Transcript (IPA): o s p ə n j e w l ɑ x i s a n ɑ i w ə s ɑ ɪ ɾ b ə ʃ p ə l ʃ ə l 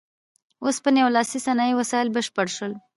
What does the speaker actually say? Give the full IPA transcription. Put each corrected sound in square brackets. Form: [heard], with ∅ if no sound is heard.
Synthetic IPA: o s p ə n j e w l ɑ [s] i s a n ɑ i w [a] s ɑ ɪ [l] b ə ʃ p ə [ɽ] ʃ ə l